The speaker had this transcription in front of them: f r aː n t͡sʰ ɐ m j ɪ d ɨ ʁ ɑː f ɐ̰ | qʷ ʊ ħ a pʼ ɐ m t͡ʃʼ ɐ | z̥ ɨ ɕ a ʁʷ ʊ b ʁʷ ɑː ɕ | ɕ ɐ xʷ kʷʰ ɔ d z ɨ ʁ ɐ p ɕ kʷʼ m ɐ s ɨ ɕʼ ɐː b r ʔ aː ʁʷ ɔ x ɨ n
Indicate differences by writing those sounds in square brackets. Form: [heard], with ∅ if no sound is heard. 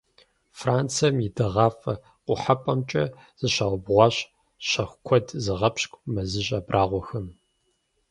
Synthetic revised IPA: f r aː n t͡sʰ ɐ m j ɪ d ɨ ʁ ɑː f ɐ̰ | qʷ ʊ ħ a pʼ ɐ m t͡ʃʼ ɐ | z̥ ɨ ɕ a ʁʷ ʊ b ʁʷ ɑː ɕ | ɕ ɐ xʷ kʷʰ ɔ d z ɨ ʁ ɐ p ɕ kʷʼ m ɐ [z] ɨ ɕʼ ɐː b r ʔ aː ʁʷ ɔ x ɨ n